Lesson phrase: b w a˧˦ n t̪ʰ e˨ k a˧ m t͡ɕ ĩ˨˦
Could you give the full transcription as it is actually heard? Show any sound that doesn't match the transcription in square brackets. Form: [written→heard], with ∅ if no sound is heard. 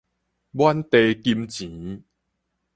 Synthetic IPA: b w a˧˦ n [t̪ʰ→t̪] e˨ k [a˧→i˧] m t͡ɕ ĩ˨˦